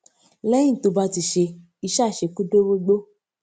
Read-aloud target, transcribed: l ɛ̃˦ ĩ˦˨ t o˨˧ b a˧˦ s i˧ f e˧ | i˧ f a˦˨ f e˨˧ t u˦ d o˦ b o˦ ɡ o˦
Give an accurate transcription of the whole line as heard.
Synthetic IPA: l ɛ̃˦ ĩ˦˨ t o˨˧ b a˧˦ t i˧ ʃ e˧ | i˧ ʃ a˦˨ ʃ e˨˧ k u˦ d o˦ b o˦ ɡ͡b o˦